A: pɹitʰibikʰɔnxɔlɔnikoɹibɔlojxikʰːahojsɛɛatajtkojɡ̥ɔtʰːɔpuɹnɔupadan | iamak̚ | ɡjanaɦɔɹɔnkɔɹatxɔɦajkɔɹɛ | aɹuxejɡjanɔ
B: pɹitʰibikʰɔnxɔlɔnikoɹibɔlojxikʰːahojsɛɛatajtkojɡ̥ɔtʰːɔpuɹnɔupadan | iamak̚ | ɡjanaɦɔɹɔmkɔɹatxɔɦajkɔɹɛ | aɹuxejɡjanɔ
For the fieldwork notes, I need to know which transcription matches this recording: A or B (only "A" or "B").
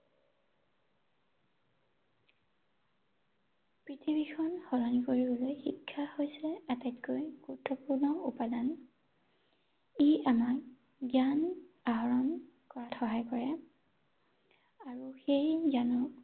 A